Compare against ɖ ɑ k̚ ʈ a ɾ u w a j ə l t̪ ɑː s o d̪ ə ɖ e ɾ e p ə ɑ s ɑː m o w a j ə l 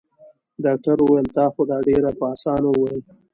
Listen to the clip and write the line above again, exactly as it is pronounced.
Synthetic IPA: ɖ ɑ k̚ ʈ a ɾ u w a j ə l t̪ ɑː x o d̪ ɑ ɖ e ɾ a p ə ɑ s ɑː n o w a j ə l